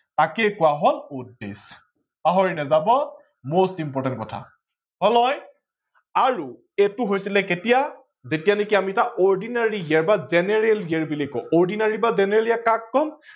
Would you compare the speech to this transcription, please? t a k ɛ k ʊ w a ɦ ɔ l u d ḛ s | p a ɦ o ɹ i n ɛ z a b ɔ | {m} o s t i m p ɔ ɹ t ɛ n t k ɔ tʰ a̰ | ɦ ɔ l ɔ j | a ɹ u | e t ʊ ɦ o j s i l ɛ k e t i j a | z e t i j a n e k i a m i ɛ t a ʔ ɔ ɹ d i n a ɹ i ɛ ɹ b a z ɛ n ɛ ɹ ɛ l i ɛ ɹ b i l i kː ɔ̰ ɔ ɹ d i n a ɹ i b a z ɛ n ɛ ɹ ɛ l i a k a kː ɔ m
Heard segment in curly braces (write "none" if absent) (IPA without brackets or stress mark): m